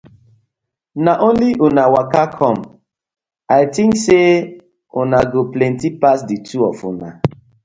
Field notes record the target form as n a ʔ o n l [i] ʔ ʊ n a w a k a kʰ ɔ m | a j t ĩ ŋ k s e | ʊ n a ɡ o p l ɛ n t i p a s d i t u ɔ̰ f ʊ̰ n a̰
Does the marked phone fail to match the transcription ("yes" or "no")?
no